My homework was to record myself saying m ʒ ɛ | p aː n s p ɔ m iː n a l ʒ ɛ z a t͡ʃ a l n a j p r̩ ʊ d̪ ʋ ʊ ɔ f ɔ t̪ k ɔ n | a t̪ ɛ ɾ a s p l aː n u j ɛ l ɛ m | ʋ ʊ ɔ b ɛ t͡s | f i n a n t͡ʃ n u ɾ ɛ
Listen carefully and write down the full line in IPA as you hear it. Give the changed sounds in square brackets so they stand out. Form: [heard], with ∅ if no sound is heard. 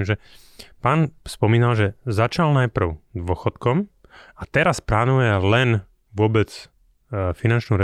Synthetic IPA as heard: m ʒ ɛ | p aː n s p ɔ m iː n a l ʒ ɛ z a t͡ʃ a l n a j p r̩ ʊ d̪ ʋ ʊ ɔ [x] ɔ t̪ k ɔ [m] | a t̪ ɛ ɾ a s p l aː n u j ɛ l ɛ [n] | ʋ ʊ ɔ b ɛ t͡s | f i n a n t͡ʃ n u ɾ ɛ